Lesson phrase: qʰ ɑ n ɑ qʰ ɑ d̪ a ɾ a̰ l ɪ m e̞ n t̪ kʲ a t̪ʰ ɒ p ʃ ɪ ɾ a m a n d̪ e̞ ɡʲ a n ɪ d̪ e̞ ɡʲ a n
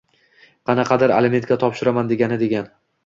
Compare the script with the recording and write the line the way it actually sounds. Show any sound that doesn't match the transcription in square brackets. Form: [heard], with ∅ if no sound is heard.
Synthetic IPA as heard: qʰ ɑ n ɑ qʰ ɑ d̪ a ɾ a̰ l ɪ m e̞ n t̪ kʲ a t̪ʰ ɒ p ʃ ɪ ɾ a m a n d̪ e̞ ɡʲ a n ɪ d̪ e̞ ɡʲ a n